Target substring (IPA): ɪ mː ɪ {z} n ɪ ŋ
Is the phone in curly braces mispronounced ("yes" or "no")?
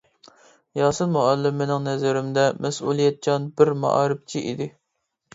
yes